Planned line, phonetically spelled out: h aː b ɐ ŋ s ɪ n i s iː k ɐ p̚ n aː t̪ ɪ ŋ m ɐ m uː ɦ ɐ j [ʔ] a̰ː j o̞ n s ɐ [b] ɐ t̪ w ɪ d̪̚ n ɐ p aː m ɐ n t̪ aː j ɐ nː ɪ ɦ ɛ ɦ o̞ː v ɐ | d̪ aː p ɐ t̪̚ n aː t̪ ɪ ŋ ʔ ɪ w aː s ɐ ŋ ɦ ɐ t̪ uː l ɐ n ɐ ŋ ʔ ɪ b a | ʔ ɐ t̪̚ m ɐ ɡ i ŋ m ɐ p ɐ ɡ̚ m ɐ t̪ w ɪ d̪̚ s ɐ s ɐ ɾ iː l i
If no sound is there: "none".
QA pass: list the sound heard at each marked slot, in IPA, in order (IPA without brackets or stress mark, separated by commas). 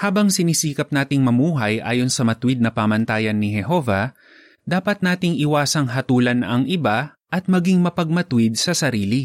ʔ, m